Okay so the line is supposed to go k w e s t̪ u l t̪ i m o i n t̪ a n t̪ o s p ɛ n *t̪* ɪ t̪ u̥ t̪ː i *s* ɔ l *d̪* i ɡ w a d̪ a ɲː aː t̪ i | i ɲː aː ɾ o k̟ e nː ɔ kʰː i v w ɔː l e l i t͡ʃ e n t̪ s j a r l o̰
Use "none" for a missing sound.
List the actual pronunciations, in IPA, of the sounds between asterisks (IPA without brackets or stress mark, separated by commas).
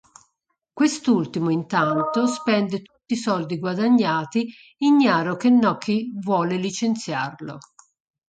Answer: d̪, s, d̪